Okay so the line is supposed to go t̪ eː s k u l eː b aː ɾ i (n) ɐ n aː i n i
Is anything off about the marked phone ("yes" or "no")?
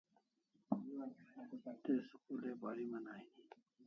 yes